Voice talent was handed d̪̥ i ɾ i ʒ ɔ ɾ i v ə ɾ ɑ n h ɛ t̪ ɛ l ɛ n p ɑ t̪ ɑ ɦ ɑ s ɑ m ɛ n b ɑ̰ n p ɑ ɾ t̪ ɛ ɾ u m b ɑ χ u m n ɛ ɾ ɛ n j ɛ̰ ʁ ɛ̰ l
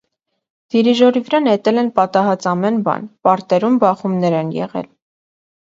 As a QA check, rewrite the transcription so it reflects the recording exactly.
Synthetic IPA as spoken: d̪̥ i ɾ i ʒ ɔ ɾ i v ə ɾ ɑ n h ɛ t̪ ɛ l ɛ n p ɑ t̪ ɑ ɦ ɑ t͡s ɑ m ɛ n b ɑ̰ n p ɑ ɾ t̪ ɛ ɾ u m b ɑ χ u m n ɛ ɾ ɛ n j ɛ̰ ʁ ɛ̰ l